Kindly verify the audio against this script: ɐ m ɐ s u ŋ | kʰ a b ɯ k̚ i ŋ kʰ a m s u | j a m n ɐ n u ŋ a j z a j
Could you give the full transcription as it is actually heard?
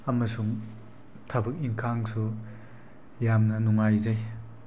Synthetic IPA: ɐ m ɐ s u ŋ | tʰ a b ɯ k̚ i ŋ kʰ a ŋ s u | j a m n ɐ n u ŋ a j z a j